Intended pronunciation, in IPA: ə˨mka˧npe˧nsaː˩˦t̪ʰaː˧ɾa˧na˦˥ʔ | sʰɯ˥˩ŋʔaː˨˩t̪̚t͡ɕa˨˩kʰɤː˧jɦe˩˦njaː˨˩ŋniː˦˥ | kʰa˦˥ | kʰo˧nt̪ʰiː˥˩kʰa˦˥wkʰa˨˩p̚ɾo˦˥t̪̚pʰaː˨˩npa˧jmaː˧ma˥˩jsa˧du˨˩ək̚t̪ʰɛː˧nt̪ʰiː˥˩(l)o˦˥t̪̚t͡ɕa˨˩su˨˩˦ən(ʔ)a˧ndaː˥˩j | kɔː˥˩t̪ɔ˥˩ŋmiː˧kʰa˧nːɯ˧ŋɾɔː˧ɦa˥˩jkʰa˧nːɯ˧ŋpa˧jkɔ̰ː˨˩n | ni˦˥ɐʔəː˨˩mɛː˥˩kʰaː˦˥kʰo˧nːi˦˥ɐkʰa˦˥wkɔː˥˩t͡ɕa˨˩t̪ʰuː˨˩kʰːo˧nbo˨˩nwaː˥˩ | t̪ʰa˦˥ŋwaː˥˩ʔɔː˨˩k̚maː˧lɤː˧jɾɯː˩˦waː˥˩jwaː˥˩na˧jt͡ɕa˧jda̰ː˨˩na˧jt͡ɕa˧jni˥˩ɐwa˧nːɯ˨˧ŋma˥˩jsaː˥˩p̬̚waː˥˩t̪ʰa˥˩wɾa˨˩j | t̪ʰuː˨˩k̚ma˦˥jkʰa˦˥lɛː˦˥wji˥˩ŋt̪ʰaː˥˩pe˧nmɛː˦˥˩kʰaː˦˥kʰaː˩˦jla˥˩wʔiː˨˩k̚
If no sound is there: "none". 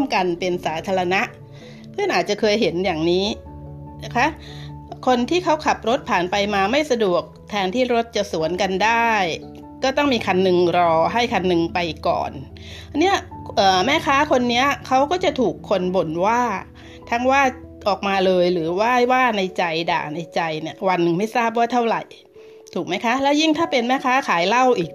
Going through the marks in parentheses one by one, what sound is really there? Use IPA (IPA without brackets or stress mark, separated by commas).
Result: ɾ, k